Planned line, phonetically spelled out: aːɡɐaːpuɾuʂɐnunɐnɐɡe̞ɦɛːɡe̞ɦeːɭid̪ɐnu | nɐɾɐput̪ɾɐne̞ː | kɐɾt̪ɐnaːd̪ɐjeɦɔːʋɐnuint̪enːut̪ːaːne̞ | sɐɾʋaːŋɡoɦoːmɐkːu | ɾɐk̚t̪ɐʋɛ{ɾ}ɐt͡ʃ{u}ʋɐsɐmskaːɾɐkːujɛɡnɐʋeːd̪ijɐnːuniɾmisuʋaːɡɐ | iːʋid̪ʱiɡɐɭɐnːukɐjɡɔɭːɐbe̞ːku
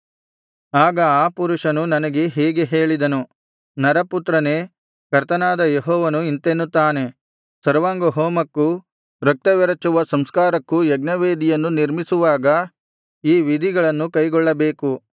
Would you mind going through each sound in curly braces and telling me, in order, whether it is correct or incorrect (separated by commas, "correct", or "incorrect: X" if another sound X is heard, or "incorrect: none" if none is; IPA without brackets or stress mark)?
correct, correct